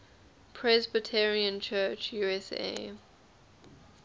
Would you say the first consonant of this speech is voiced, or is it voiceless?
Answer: voiceless